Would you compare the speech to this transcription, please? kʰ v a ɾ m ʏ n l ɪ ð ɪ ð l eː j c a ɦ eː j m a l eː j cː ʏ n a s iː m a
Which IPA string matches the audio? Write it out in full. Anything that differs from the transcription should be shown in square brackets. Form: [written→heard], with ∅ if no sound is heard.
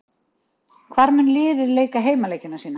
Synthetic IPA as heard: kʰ v a ɾ m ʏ n l [ɪ→ɪː] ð ɪ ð l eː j [c→k] a ɦ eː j m a l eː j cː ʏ n a s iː [m→n] a